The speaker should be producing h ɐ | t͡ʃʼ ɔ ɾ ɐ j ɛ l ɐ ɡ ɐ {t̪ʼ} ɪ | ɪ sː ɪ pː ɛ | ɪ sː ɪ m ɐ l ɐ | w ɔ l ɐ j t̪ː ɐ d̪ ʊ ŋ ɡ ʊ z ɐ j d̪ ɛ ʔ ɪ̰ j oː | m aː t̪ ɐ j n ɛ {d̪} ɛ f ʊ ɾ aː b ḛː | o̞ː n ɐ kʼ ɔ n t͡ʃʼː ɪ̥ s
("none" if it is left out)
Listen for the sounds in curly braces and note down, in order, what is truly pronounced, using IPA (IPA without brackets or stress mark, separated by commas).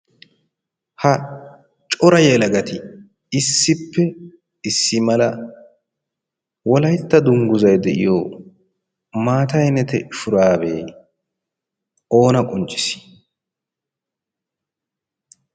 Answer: t̪, t̪